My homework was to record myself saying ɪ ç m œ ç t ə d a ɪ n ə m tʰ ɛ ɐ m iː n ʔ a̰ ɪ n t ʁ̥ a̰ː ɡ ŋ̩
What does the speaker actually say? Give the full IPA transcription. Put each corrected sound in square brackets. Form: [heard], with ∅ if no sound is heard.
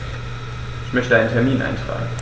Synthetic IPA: ɪ ç m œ ç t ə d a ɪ n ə [n] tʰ ɛ ɐ m iː n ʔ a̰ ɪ n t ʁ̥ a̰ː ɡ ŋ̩